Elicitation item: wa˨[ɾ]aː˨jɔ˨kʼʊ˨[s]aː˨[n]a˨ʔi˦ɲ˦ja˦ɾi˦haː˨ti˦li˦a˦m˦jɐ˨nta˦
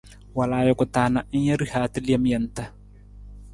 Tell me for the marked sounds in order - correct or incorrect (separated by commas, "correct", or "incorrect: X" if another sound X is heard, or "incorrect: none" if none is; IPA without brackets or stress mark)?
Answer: incorrect: l, incorrect: t, correct